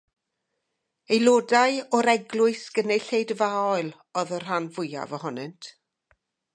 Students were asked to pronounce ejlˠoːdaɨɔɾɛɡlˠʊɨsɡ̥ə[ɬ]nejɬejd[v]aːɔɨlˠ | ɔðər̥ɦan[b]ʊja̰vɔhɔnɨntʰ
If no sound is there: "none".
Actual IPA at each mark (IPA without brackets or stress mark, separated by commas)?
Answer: none, v, v